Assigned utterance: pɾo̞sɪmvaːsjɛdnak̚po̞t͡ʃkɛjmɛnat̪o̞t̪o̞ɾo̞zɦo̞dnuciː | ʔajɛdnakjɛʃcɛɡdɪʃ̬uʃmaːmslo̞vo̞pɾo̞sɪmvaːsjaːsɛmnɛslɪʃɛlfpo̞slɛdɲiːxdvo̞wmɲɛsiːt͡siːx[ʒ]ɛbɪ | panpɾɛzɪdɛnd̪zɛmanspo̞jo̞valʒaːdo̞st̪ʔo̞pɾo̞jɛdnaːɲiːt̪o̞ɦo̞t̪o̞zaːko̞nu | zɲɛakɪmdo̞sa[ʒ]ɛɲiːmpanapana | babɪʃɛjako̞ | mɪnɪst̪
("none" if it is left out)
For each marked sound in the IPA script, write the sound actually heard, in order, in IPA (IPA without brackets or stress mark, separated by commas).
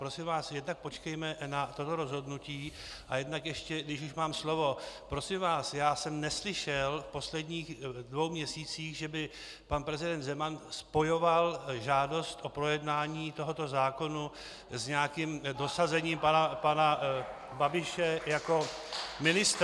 ʒ, z